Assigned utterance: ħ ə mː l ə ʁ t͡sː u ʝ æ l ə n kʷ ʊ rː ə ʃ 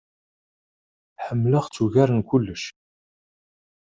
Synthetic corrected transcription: ħ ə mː l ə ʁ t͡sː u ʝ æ ɾ ə n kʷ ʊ lː ə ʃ